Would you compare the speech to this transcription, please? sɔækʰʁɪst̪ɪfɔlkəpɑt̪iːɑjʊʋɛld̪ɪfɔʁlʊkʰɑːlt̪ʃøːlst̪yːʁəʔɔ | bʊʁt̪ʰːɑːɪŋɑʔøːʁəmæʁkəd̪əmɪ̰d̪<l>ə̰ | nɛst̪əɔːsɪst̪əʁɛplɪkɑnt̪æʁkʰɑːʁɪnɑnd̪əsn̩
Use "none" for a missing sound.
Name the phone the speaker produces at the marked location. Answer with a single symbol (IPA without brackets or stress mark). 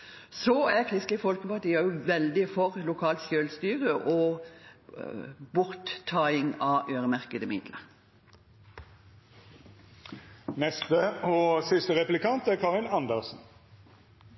l